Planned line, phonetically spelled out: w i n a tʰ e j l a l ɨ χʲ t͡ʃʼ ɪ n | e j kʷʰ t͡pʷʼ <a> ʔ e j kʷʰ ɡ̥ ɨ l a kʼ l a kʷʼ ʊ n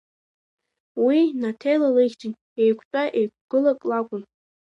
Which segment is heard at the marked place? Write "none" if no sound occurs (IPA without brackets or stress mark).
a